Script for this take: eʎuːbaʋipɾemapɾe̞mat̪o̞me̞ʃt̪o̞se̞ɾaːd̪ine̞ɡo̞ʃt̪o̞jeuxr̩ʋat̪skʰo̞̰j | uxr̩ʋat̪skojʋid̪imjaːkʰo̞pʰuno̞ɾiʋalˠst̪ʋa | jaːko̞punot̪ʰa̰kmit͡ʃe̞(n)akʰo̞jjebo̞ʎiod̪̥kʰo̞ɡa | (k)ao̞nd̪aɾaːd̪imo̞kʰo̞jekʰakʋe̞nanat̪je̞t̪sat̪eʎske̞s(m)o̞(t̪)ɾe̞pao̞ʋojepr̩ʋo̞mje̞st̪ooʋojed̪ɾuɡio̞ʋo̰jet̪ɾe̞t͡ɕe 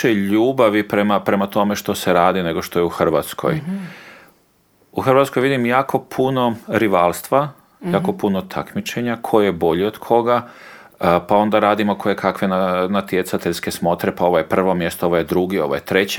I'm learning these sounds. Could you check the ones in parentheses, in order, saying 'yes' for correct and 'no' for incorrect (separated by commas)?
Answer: no, no, yes, yes